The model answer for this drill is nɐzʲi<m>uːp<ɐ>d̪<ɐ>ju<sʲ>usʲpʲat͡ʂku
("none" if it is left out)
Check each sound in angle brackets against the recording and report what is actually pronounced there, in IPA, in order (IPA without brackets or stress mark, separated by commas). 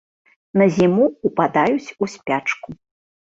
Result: m, a, a, t͡sʲ